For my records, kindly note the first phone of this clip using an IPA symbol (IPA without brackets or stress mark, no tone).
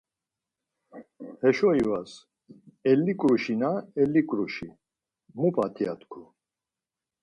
h